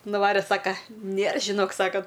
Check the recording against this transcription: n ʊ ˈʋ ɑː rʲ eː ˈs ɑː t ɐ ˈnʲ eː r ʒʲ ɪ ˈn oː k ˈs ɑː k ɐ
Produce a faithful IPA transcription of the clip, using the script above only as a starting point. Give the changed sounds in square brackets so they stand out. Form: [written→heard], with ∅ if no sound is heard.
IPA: n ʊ ˈʋ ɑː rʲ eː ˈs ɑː [t→k] ɐ ˈnʲ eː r ʒʲ ɪ ˈn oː k ˈs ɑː k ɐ